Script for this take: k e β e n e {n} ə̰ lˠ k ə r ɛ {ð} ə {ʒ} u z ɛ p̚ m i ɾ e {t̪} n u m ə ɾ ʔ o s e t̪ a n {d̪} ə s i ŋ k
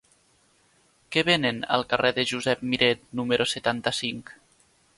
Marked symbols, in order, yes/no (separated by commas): yes, yes, yes, yes, no